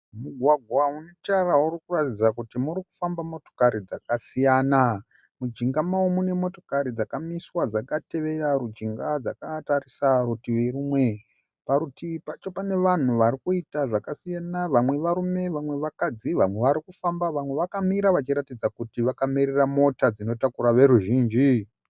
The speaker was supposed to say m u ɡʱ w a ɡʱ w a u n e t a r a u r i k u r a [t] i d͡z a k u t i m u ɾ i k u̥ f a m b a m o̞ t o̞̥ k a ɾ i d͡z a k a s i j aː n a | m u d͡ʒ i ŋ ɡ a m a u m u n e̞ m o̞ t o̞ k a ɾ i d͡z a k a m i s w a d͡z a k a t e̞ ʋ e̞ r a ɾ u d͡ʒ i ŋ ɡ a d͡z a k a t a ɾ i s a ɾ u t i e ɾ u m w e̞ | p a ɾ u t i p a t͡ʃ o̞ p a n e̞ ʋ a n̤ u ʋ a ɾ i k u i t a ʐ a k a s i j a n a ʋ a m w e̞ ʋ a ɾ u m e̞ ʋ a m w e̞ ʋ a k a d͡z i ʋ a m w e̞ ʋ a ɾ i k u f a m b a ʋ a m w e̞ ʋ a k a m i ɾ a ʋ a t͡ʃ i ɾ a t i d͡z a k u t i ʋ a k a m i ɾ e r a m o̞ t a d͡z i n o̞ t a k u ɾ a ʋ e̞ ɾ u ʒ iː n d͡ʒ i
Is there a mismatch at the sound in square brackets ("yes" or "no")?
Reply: no